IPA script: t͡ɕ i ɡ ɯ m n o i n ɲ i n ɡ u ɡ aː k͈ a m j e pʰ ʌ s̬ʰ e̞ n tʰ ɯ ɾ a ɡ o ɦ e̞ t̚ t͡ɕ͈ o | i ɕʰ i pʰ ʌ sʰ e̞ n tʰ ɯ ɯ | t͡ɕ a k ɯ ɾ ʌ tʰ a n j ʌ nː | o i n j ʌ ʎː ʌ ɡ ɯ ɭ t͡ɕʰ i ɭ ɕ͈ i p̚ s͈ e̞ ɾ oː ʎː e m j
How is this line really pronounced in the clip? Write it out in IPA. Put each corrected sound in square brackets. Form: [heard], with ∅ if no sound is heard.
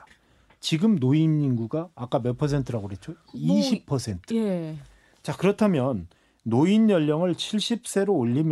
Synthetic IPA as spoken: t͡ɕ i ɡ ɯ m n o i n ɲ i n ɡ u ɡ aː k͈ a m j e pʰ ʌ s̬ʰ e̞ n tʰ ɯ ɾ a ɡ o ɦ e̞ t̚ t͡ɕ͈ o | i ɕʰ i pʰ ʌ sʰ e̞ n tʰ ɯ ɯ | t͡ɕ a k ɯ ɾ ʌ tʰ a [m] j ʌ nː | o i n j ʌ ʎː ʌ [ŋ] ɯ ɭ t͡ɕʰ i ɭ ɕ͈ i p̚ s͈ e̞ ɾ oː ʎː [i] m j